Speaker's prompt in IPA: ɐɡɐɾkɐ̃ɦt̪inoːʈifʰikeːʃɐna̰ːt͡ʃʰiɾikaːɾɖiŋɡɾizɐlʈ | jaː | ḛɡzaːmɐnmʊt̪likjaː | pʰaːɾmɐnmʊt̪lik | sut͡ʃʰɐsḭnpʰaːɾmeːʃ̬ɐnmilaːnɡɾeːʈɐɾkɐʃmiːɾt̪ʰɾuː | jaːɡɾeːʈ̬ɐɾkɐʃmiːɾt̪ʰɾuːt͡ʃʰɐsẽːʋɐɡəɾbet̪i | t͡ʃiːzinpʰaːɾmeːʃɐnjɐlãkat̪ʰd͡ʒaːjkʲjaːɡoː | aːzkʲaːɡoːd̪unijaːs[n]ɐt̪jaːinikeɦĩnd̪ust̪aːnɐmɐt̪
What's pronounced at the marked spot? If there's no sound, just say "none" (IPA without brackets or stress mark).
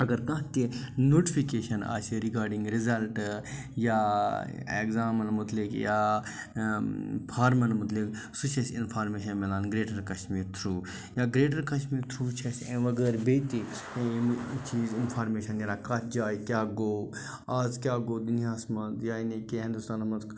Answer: m